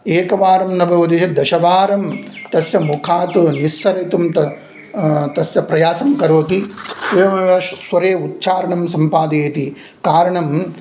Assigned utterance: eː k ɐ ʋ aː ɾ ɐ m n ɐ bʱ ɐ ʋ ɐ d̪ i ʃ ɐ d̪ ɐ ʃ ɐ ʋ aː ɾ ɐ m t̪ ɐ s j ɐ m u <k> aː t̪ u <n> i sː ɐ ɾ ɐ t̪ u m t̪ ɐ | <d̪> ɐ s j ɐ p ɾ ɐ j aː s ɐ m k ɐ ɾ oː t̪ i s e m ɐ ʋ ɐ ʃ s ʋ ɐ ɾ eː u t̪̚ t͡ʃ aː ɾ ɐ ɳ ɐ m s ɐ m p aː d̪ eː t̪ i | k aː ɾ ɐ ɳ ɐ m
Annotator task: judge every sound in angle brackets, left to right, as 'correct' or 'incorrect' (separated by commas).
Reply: incorrect, correct, incorrect